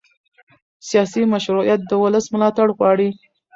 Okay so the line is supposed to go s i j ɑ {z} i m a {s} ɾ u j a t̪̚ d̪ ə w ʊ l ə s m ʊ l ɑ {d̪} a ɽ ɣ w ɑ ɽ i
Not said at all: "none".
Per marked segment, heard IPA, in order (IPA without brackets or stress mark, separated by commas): s, ʃ, t̪